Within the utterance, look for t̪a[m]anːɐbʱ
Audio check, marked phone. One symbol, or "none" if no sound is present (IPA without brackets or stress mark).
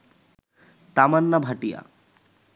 m